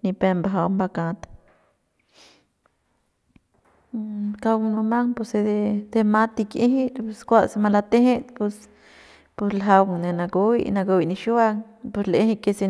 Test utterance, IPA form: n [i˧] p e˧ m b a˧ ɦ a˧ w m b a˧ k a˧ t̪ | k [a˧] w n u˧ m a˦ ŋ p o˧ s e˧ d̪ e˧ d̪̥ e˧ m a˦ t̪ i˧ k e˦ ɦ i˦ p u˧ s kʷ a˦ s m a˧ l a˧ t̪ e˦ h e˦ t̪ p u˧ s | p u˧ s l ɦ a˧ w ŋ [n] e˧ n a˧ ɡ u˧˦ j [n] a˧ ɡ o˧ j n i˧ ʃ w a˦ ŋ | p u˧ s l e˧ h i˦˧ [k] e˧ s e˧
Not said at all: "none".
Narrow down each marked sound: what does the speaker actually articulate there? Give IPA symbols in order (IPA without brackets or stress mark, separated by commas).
i˧, a˧, n, n, k